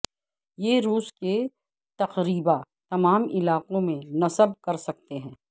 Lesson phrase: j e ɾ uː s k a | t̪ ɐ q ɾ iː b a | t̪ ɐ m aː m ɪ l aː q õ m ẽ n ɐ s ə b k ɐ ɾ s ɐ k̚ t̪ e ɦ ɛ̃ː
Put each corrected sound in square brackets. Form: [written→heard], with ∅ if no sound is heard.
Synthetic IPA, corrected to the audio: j e ɾ uː s k [a→e] | t̪ ɐ q ɾ iː b a | t̪ ɐ m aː m ɪ l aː q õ m ẽ n ɐ s ə b k ɐ ɾ s ɐ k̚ t̪ e ɦ ɛ̃ː

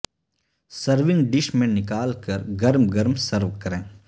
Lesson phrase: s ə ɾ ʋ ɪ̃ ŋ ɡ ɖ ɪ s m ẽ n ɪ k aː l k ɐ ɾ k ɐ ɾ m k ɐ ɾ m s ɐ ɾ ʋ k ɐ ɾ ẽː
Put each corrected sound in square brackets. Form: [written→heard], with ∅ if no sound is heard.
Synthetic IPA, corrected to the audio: s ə ɾ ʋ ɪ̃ ŋ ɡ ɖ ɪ [s→ʃ] m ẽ n ɪ k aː l k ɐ ɾ [k→ɡ] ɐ ɾ m [k→ɡ] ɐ ɾ m s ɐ ɾ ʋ k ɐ ɾ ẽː

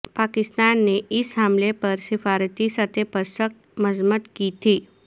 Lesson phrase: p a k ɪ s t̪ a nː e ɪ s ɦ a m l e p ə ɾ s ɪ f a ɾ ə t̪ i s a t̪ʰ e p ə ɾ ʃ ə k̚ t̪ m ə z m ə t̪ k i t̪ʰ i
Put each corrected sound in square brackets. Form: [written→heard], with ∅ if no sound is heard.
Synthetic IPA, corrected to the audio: p a k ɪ s t̪ a nː e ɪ s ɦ a m l e p ə ɾ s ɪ f a ɾ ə t̪ i s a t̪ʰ e p ə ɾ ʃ ə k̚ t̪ m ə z m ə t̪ k i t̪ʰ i

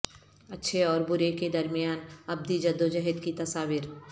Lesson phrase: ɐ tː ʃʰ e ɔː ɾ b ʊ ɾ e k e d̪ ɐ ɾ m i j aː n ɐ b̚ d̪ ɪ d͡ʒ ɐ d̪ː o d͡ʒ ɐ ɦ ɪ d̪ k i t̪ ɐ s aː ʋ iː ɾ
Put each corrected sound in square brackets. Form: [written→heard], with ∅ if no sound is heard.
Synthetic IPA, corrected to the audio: ɐ tː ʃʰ e ɔː ɾ b ʊ ɾ e k e d̪ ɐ ɾ m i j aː n ɐ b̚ d̪ [ɪ→i] d͡ʒ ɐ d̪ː o d͡ʒ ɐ ɦ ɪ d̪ k i t̪ ɐ s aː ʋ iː ɾ

